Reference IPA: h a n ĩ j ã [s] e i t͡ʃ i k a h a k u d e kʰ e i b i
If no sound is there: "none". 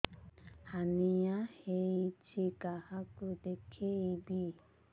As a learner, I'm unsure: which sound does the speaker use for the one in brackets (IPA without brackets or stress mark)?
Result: h